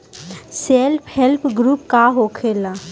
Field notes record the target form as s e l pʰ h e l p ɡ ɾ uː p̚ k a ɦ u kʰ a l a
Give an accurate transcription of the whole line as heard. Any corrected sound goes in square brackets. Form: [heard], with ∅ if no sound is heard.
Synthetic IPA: s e l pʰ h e l p ɡ ɾ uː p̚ k a ɦ [o] kʰ [e] l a